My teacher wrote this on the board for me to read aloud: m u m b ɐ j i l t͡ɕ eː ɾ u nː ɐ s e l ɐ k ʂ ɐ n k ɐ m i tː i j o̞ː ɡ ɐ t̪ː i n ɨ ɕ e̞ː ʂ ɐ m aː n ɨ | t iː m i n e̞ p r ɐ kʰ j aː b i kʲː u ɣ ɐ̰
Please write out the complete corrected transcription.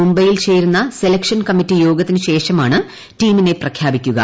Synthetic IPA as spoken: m u m b ɐ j i l t͡ɕ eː ɾ u nː ɐ s e l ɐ k ʂ ɐ n k ɐ m i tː i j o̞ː ɡ ɐ t̪ː i n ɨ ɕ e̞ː ʂ ɐ m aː ɳ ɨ | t iː m i n e̞ p r ɐ kʰ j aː b i kʲː u ɣ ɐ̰